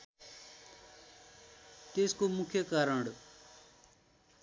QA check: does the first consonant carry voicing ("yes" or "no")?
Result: no